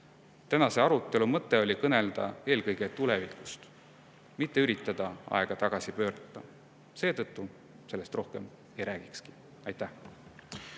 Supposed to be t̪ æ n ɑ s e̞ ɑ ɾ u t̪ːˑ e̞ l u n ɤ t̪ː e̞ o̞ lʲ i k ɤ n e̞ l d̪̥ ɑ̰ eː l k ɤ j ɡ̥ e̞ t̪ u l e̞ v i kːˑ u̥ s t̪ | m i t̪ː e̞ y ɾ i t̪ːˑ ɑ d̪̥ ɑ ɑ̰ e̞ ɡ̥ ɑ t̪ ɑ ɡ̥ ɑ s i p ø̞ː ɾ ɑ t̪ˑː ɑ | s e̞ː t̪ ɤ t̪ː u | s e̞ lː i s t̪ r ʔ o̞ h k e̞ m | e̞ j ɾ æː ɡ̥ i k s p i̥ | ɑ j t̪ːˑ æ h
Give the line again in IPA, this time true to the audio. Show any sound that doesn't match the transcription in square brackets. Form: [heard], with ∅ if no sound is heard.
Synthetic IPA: t̪ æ n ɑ s e̞ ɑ ɾ u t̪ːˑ e̞ l u [m] ɤ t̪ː e̞ o̞ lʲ i k ɤ n e̞ l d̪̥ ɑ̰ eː l k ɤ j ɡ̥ e̞ t̪ u l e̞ v i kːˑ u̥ s t̪ | m i t̪ː e̞ y ɾ i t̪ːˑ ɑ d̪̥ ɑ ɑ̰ e̞ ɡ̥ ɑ t̪ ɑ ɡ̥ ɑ s i p ø̞ː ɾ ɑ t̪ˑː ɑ | s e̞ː t̪ ɤ t̪ː u | s e̞ lː [e] s t̪ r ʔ o̞ h k e̞ m | e̞ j ɾ æː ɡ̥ i k s [k] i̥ | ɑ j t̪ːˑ æ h